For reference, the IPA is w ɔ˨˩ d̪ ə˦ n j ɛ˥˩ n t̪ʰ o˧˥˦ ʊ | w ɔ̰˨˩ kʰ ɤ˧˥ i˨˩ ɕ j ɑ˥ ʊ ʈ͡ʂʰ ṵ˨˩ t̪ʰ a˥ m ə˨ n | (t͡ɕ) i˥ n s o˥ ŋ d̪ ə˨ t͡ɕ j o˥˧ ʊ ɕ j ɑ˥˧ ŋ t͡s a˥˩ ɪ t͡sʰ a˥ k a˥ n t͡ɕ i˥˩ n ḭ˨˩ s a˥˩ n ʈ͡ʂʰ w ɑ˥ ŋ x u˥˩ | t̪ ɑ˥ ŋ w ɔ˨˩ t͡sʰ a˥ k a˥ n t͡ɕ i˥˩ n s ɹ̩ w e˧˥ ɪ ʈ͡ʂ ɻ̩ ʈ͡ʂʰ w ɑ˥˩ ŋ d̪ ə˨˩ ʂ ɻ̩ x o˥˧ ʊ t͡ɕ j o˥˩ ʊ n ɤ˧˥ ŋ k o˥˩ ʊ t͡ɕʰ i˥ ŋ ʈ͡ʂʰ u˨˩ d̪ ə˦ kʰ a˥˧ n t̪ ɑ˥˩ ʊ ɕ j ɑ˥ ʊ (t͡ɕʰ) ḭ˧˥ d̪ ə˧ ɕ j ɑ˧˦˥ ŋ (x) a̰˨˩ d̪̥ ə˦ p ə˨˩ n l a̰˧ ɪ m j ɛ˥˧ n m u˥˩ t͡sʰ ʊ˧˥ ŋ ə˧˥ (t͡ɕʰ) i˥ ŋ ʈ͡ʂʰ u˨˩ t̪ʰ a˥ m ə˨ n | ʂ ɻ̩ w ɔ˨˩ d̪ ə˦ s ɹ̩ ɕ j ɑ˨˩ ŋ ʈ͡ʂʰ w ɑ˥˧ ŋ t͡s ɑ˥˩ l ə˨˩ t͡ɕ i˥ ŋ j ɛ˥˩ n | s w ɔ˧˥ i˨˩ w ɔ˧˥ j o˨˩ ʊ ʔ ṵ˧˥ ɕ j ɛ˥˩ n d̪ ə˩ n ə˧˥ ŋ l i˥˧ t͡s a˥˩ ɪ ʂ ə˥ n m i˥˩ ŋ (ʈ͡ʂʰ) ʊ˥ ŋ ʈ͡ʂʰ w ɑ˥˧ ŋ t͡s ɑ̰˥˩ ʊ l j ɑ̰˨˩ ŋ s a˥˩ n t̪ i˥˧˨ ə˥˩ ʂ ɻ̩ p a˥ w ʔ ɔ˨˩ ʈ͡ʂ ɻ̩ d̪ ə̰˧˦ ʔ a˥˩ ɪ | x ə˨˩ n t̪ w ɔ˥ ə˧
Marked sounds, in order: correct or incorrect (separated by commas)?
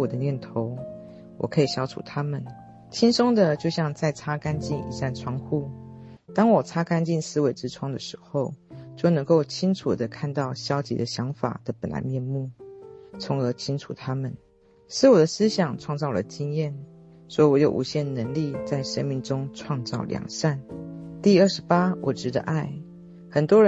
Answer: incorrect, incorrect, incorrect, correct, incorrect